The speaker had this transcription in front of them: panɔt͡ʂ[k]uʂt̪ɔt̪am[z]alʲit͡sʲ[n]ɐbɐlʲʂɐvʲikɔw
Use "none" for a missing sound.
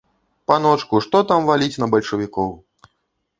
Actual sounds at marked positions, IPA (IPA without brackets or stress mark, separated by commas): k, v, n